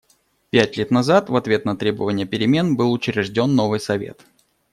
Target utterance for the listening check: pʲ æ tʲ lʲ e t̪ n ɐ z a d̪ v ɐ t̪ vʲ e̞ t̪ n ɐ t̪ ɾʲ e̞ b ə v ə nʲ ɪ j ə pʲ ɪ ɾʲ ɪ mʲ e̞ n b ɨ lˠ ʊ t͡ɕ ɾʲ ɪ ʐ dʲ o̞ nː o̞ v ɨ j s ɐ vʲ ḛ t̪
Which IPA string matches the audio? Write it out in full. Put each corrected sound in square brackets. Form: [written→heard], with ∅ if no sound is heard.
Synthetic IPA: pʲ æ tʲ lʲ e t̪ n ɐ z a [d̪→t̪] v ɐ t̪ vʲ e̞ t̪ n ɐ t̪ ɾʲ e̞ b ə v ə nʲ ɪ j ə pʲ ɪ ɾʲ ɪ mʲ e̞ n b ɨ lˠ ʊ t͡ɕ ɾʲ ɪ ʐ dʲ o̞ nː o̞ v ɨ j s ɐ vʲ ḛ t̪

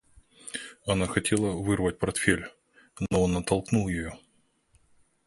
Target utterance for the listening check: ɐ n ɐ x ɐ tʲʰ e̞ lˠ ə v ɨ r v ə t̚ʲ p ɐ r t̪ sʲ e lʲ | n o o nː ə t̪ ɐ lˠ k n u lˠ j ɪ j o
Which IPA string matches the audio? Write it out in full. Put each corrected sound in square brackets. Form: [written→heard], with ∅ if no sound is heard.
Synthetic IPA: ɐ n [ɐ→a] x ɐ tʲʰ e̞ lˠ ə v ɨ r v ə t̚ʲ p ɐ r t̪ [sʲ→fʲ] e lʲ | n o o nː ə t̪ ɐ lˠ k n u lˠ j ɪ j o

